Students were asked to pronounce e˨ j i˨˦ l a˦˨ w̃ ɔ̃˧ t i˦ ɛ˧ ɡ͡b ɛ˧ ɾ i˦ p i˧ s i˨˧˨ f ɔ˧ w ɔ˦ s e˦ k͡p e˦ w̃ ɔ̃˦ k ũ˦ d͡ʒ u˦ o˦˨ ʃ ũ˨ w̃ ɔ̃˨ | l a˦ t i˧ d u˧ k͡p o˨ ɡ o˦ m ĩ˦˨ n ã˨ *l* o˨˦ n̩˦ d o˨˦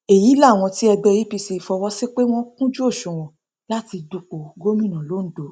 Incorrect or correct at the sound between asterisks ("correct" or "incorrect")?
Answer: correct